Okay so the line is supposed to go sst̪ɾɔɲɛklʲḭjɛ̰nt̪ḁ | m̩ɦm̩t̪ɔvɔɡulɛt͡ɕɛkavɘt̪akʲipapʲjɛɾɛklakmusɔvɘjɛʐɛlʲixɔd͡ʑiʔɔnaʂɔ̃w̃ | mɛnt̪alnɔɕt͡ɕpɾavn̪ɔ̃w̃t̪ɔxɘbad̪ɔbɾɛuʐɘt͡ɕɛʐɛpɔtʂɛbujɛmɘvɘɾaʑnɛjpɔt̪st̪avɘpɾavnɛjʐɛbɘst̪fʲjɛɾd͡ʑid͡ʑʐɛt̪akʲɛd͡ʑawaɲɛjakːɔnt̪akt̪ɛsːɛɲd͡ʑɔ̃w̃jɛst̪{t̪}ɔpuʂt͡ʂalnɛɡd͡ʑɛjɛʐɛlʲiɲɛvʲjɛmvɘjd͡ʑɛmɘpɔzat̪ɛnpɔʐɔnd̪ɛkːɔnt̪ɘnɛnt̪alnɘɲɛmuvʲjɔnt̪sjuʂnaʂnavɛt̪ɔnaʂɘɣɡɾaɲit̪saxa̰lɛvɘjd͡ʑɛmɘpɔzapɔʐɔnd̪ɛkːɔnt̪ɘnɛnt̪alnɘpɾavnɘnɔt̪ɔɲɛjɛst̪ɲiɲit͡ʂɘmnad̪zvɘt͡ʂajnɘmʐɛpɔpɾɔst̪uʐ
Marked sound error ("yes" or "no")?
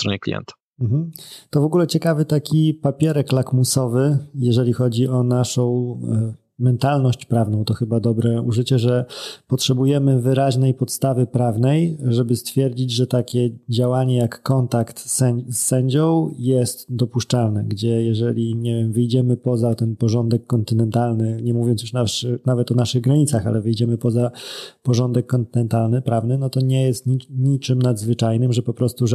yes